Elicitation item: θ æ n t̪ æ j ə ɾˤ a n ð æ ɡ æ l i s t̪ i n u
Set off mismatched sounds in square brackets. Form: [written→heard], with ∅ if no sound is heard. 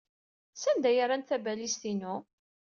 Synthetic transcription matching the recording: [θ→s] æ n [t̪→d̪] æ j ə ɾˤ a n [ð→θ] æ [ɡ→b] æ l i s t̪ i n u